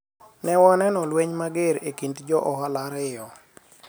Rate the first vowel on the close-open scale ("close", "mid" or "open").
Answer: mid